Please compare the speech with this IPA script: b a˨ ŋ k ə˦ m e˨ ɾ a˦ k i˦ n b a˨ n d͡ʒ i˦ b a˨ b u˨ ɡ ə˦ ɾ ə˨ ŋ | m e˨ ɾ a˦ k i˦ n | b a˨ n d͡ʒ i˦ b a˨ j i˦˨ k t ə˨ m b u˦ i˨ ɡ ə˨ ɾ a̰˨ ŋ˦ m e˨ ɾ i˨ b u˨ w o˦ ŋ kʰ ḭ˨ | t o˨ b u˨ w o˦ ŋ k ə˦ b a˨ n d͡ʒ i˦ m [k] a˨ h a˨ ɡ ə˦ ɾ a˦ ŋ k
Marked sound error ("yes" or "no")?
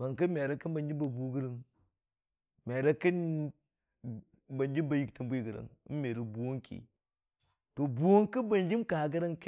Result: no